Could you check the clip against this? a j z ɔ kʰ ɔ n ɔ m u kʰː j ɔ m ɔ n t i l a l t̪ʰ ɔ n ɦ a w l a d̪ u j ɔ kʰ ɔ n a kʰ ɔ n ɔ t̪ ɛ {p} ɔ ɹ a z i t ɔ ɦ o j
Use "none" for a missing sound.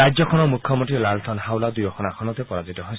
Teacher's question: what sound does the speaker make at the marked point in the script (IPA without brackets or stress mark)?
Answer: p